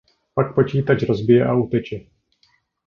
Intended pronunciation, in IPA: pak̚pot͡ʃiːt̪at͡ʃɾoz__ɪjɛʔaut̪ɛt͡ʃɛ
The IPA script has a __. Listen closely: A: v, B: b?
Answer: B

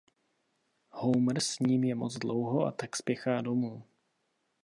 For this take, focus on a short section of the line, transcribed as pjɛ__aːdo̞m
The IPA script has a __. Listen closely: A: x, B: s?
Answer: A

